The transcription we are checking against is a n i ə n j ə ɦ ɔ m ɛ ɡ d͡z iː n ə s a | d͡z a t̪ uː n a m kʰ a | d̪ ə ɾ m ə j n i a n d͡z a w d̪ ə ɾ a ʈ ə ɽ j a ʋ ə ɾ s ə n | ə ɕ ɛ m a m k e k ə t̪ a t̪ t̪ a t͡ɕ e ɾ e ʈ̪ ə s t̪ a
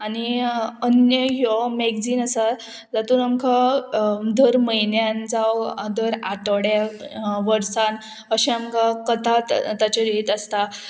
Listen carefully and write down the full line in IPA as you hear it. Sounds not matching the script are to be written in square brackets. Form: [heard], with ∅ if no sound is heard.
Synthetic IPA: a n i ə n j ə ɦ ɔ m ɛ ɡ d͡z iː n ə s a | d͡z a t̪ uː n a m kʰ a | d̪ ə ɾ m ə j n [j] a n d͡z a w d̪ ə ɾ a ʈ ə ɽ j a ʋ ə ɾ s [a] n | ə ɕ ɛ [∅] a m k [a] k ə t̪ a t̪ t̪ a t͡ɕ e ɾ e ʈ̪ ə s t̪ a

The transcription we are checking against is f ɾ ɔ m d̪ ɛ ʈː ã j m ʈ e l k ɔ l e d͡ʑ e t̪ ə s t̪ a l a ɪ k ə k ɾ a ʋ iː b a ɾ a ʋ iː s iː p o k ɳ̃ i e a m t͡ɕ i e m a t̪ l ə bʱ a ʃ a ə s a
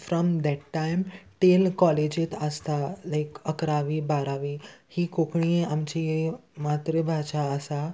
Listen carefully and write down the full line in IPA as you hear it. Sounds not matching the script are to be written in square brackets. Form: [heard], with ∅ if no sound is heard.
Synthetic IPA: f ɾ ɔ m d̪ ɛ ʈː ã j m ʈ e l k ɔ l e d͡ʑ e t̪ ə s t̪ a l a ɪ k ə k ɾ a ʋ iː b a ɾ a ʋ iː [h] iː [k] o k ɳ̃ i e a m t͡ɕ i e m a t̪ [ɾ] ə bʱ a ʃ a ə s a

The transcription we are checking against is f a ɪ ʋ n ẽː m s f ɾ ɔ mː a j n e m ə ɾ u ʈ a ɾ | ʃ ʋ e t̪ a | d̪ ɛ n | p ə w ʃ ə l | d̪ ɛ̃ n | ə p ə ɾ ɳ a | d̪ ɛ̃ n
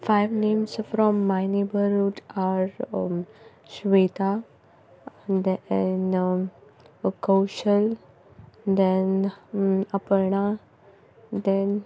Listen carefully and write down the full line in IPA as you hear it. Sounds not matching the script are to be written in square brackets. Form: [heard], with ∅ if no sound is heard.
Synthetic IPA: f a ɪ ʋ n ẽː m s f ɾ ɔ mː a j n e [b] ə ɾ u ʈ a ɾ | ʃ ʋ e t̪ a | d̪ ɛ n | [k] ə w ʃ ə l | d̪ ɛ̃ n | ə p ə ɾ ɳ a | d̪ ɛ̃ n

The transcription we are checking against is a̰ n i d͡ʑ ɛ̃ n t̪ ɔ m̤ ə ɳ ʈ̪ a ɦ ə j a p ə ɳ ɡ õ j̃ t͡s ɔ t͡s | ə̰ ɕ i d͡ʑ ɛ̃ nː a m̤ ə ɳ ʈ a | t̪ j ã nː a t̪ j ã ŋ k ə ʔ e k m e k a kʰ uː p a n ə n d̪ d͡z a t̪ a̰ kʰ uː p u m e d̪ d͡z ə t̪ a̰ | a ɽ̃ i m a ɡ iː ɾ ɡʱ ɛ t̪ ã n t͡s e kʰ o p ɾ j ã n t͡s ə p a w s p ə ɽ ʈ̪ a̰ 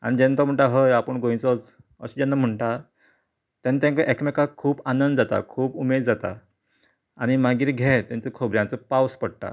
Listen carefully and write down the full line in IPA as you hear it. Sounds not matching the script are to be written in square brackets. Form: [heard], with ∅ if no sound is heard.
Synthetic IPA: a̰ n i d͡ʑ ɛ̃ n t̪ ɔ m̤ ə ɳ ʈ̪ a ɦ ə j a p ə ɳ ɡ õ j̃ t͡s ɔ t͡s | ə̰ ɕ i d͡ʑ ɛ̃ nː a m̤ ə ɳ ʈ a | t̪ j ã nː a t̪ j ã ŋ k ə ʔ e k m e k a kʰ uː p a n ə n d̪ d͡z a t̪ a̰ kʰ uː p u m e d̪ d͡z [a] t̪ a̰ | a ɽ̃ i m a ɡ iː ɾ ɡʱ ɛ t̪ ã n t͡s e kʰ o [b] ɾ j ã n t͡s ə p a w s p ə ɽ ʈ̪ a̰

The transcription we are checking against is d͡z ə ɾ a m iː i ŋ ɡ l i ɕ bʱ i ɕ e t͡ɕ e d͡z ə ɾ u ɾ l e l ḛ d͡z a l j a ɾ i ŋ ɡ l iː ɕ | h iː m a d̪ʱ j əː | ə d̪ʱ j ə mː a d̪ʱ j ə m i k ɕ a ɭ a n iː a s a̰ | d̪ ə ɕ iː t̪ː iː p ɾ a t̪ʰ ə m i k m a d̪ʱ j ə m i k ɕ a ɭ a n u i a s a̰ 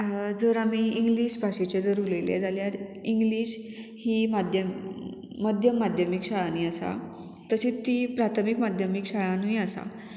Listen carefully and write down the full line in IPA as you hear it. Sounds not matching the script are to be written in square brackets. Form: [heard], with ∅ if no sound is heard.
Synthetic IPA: d͡z ə ɾ a m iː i ŋ ɡ l i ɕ bʱ [a] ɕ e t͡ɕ e d͡z ə ɾ u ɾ l e l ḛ d͡z a l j a ɾ i ŋ ɡ l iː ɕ | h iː m a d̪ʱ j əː | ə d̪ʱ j ə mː a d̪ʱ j ə m i k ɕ a ɭ a n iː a s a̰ | [t̪] ə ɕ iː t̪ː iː p ɾ a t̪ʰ ə m i k m a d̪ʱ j ə m i k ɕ a ɭ a n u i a s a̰

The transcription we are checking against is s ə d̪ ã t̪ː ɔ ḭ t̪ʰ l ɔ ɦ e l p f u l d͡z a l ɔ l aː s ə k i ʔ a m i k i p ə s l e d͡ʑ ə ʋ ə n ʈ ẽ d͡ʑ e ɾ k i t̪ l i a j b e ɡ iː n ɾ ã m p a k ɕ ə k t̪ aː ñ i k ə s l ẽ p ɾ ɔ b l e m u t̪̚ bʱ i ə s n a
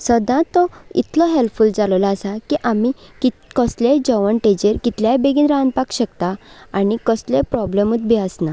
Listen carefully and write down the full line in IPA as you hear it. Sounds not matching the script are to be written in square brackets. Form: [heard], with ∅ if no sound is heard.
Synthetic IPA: s ə d̪ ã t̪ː ɔ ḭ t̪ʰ l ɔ ɦ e l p f u l d͡z a l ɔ l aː s [a] k i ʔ a m i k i [k] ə s l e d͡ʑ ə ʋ ə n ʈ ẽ d͡ʑ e ɾ k i t̪ l [j] a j b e ɡ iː n ɾ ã [n] p a k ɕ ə k t̪ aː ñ i k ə s l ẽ p ɾ ɔ b l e m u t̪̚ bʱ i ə s n a

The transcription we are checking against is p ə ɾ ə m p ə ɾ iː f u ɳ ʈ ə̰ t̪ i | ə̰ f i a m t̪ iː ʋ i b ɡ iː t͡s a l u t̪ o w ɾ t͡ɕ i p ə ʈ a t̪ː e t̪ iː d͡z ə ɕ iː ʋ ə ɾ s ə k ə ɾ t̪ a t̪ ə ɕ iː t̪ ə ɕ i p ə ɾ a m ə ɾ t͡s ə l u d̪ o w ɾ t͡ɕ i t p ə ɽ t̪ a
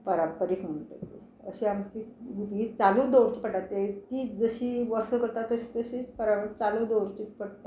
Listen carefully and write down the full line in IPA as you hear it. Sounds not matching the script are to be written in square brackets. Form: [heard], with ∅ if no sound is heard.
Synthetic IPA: p ə ɾ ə m p ə ɾ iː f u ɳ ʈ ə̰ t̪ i | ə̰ [ɕ] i a m t̪ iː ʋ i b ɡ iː t͡s a l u [d̪] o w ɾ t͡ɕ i p ə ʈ a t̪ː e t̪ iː d͡z ə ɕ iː ʋ ə ɾ s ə k ə ɾ t̪ a t̪ ə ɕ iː t̪ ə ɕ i p ə ɾ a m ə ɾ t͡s [a] l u d̪ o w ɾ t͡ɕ i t p ə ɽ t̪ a

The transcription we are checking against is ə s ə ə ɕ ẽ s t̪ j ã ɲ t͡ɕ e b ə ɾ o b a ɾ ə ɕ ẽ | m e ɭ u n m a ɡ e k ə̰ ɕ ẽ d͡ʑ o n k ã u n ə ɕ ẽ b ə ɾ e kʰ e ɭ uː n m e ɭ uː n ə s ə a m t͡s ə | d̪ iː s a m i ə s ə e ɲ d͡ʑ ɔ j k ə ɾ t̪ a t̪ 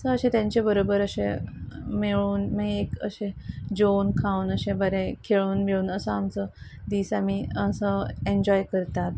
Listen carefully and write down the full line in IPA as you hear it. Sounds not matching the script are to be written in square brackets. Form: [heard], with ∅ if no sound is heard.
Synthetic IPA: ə s ə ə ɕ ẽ [∅] t̪ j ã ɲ t͡ɕ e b ə ɾ o b [ə] ɾ ə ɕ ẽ | m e ɭ [uː] n m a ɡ e k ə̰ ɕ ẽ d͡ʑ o n [kʰ] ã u n ə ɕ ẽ b ə ɾ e kʰ e ɭ uː n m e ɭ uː n ə s ə a m t͡s ə | d̪ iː s a m i ə s ə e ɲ d͡ʑ ɔ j k ə ɾ t̪ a t̪

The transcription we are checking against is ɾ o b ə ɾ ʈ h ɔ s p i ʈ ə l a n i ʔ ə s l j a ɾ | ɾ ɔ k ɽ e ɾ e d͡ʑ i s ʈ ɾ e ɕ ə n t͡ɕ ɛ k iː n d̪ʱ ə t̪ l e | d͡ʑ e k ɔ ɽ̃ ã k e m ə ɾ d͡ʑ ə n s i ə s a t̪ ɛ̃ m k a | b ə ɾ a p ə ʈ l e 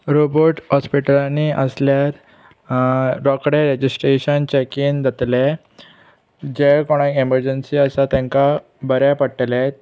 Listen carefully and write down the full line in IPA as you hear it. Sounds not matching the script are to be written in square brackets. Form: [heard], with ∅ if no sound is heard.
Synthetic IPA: ɾ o b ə ɾ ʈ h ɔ s p i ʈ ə l a n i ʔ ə s l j a ɾ | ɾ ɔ k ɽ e ɾ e d͡ʑ i s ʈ ɾ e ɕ ə n t͡ɕ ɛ k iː n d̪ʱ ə t̪ l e | d͡ʑ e k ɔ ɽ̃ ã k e m ə ɾ d͡ʑ ə n s i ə s a t̪ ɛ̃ [ŋ] k a | b ə ɾ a p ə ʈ l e

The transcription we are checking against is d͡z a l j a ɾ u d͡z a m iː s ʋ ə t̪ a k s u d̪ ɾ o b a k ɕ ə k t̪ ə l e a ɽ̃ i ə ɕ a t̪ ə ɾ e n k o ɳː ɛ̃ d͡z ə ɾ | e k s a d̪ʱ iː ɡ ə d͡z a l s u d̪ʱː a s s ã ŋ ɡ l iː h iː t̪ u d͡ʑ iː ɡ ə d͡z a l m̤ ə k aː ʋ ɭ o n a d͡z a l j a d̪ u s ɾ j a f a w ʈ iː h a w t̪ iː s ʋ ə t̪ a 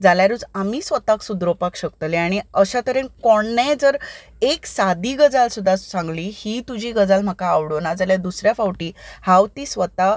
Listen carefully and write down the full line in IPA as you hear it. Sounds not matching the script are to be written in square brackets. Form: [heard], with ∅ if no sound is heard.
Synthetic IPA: d͡z a l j a ɾ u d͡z a m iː s ʋ ə t̪ a k s u d̪ ɾ o [p] a k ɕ ə k t̪ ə l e a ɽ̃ i ə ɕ a t̪ ə ɾ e n k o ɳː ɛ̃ d͡z ə ɾ | e k s a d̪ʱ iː ɡ ə d͡z a l s u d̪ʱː a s s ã ŋ ɡ l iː h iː t̪ u d͡ʑ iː ɡ ə d͡z a l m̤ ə k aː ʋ [ɽ] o n a d͡z a l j a d̪ u s ɾ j a f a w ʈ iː h a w t̪ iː s ʋ ə t̪ a

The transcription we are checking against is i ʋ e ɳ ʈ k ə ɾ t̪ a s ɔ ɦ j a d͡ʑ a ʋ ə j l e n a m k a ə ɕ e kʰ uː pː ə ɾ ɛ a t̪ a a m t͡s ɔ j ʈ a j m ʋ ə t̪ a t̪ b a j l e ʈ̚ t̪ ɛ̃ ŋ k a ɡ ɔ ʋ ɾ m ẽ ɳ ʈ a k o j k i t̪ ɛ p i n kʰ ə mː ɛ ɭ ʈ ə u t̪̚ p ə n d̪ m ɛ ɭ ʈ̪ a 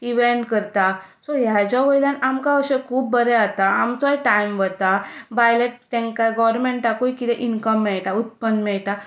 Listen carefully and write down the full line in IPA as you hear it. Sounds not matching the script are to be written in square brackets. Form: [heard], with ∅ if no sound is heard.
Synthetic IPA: i ʋ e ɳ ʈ k ə ɾ t̪ a s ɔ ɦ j a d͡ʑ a ʋ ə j l [a] n a m k a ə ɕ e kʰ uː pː ə ɾ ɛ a t̪ a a m t͡s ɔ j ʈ a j m ʋ ə t̪ a [∅] b a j l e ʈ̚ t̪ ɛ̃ ŋ k a ɡ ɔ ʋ ɾ m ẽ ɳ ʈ a k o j k i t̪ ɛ [ʔ] i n [k] ə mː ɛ ɭ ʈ [a] u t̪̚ p ə n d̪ m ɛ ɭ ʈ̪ a

